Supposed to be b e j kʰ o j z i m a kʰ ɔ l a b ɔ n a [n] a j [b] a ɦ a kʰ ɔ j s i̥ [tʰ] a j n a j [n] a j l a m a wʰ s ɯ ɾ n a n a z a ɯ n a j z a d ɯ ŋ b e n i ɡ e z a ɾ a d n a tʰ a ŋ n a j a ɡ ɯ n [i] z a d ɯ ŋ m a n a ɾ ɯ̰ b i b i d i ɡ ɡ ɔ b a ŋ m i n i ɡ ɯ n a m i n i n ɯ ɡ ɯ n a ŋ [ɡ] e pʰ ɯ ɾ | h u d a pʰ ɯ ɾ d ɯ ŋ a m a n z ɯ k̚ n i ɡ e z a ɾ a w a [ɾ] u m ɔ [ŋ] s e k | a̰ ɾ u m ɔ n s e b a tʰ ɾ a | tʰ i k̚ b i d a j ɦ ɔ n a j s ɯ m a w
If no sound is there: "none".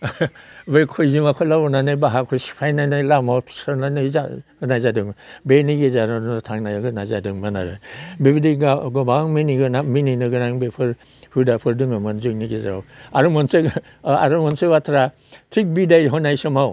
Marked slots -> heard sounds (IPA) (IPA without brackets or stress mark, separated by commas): n, b, pʰ, n, a, b, ɾ, n